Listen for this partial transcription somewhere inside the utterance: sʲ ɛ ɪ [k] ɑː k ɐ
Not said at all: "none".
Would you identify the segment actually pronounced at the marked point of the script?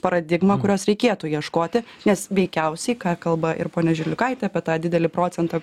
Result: k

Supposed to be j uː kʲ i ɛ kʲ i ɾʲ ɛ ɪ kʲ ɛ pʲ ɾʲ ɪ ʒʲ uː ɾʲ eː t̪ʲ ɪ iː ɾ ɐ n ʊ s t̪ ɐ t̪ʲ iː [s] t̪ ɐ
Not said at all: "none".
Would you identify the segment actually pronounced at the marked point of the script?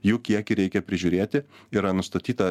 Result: none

